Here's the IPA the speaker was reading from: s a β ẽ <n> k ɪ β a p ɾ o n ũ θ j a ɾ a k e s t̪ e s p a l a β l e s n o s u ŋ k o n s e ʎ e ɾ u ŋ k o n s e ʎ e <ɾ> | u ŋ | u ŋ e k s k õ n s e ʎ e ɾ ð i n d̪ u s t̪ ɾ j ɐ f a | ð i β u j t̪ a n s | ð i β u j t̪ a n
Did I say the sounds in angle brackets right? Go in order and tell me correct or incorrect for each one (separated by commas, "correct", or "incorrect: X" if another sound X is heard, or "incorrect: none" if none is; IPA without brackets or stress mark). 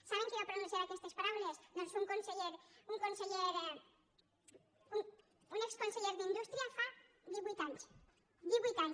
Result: incorrect: ŋ, correct